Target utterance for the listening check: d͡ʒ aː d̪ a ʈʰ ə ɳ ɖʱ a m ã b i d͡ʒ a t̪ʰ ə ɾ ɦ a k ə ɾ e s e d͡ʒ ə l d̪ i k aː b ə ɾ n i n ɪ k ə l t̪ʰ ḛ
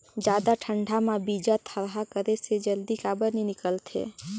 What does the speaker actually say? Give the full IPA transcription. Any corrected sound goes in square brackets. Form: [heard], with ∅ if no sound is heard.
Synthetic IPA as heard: d͡ʒ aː d̪ a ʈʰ ə ɳ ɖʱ a m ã b i d͡ʒ a t̪ʰ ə ɾ ɦ a k ə ɾ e s e d͡ʒ ə l d̪ i k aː b ə ɾ n i n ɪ k ə l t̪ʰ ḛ